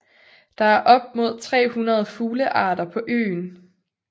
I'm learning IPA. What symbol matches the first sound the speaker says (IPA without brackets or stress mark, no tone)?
d̥